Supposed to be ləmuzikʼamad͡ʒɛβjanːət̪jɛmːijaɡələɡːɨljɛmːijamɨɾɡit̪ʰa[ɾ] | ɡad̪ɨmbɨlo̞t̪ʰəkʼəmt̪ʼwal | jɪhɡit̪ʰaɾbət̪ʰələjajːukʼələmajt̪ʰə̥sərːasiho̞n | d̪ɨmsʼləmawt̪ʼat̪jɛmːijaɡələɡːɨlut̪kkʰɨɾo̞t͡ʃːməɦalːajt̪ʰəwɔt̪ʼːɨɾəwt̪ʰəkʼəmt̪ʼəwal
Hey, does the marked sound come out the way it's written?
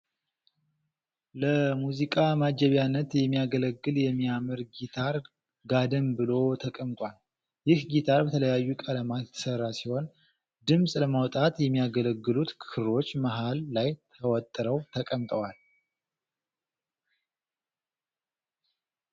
yes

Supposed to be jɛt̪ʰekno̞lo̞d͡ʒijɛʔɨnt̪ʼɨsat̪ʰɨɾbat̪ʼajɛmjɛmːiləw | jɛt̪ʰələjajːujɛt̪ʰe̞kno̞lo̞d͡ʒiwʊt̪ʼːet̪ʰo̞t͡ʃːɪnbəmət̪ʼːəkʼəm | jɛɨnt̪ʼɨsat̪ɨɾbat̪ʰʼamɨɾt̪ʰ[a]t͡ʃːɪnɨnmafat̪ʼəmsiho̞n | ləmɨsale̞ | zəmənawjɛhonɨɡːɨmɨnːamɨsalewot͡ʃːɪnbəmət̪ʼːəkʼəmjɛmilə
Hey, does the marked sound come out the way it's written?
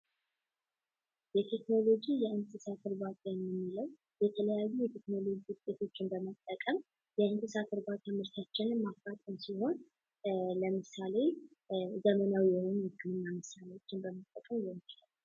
yes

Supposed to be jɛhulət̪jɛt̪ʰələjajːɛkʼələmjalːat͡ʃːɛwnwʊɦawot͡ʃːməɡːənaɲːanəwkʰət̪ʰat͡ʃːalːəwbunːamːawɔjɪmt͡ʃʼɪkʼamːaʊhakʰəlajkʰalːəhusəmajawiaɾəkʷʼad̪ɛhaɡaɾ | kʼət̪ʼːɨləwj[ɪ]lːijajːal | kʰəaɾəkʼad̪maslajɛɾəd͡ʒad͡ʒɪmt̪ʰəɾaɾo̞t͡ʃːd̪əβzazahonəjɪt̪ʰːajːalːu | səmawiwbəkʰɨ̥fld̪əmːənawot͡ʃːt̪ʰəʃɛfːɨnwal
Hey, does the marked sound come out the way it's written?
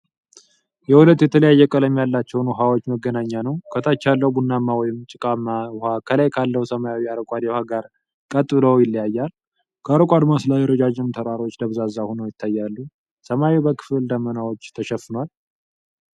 yes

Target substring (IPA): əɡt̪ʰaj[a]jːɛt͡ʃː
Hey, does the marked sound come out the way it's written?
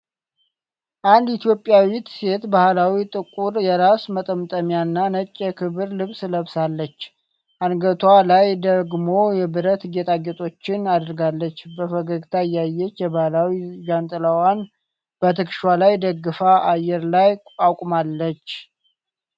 yes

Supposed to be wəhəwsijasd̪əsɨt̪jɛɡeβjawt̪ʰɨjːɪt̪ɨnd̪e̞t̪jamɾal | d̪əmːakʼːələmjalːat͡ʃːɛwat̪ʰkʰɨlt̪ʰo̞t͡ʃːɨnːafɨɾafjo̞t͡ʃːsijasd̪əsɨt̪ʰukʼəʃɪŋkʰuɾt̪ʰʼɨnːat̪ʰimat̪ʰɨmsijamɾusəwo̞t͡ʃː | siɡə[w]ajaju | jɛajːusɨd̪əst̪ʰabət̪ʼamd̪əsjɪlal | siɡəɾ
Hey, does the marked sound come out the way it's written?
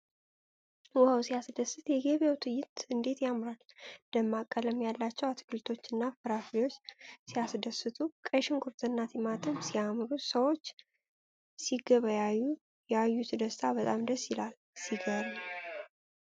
no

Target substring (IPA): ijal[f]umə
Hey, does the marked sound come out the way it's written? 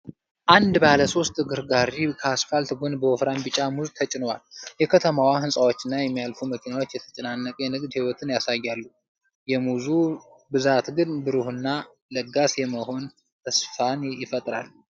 yes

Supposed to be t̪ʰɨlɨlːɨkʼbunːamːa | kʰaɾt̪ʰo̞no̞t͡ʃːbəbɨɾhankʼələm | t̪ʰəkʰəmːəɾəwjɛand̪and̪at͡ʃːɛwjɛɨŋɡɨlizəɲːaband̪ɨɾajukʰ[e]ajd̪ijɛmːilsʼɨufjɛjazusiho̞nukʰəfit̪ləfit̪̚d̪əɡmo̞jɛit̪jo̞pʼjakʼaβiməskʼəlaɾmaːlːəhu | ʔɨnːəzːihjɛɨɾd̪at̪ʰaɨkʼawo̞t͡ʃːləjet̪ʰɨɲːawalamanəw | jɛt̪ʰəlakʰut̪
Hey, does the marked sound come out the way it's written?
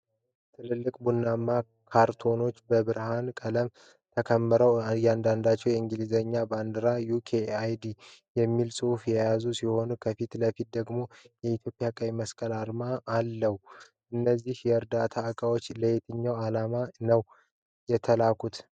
yes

